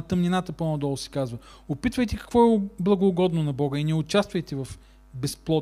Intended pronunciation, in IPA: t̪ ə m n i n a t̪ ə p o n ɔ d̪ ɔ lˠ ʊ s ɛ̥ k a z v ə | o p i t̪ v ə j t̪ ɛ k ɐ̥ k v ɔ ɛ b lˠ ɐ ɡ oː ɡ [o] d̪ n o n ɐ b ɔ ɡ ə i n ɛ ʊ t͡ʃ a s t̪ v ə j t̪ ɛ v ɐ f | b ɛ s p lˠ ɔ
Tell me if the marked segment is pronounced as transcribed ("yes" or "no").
no